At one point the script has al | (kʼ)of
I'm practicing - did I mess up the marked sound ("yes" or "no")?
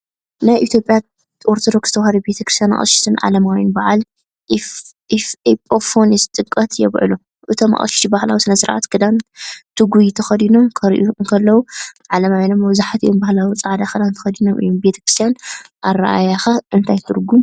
yes